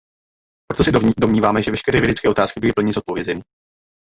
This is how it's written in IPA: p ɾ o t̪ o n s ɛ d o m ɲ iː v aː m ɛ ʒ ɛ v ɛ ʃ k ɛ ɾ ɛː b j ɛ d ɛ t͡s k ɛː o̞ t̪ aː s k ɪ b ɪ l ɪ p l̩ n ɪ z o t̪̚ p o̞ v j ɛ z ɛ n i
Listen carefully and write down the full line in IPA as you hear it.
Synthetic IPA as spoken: p ɾ o t̪ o s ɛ d o m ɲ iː v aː m ɛ ʒ ɛ v ɛ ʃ k ɛ ɾ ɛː v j ɛ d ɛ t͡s k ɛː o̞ t̪ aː s k ɪ b ɪ l ɪ p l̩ ɲ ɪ z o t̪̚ p o̞ v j ɛ z ɛ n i